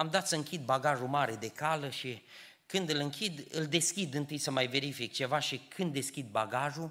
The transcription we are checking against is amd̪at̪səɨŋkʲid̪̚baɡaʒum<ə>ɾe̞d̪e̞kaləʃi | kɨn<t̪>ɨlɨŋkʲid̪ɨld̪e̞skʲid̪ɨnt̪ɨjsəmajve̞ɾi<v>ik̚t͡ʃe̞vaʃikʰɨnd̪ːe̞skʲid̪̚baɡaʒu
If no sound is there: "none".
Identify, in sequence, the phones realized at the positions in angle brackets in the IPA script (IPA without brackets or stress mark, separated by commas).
a, d̪, f